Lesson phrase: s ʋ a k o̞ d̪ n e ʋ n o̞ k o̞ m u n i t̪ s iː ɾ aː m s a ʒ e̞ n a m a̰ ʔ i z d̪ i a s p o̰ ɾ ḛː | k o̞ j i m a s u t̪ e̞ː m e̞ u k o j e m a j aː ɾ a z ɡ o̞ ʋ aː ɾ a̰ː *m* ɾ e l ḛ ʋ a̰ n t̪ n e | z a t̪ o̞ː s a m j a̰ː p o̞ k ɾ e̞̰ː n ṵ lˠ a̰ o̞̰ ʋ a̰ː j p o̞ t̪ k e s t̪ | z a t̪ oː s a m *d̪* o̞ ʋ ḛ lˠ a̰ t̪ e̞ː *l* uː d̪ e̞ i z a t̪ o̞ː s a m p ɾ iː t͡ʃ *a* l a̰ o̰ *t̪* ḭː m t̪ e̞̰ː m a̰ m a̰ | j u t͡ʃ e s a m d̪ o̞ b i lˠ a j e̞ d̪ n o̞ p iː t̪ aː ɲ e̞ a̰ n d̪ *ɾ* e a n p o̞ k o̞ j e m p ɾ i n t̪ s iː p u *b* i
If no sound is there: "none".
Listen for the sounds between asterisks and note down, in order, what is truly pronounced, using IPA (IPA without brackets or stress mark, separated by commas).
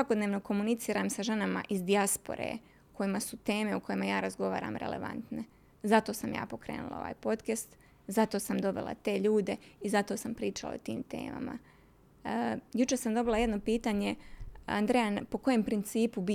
m, d̪, ʎ, a, t̪, ɾ, b